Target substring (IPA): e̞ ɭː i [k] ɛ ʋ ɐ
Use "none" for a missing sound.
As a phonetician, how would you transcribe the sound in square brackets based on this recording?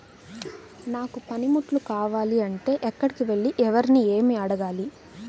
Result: ʔ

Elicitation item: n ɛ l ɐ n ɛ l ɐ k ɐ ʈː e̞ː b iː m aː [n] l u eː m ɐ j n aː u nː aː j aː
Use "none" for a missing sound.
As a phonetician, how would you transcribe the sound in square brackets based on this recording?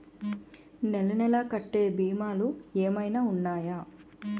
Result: none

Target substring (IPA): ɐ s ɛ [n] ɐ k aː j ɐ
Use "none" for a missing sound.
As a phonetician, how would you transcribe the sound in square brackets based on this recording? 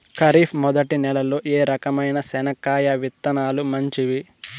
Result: n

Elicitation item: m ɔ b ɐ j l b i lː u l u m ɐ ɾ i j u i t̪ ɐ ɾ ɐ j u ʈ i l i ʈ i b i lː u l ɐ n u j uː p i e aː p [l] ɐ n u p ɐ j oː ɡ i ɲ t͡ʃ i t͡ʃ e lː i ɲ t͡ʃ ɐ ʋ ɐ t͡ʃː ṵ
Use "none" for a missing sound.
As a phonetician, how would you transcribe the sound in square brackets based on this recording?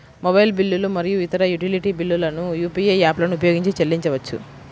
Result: l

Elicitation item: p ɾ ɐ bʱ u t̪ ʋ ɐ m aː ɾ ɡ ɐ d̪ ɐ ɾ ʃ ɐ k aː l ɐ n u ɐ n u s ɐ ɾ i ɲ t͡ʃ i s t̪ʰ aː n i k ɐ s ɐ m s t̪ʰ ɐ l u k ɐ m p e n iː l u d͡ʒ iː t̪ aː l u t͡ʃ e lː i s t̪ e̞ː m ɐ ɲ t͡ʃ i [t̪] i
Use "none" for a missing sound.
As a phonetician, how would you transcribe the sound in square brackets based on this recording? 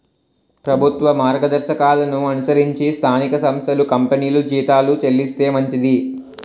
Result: d̪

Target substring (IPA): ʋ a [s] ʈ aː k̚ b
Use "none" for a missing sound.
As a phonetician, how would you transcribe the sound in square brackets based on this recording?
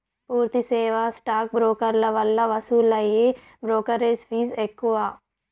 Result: s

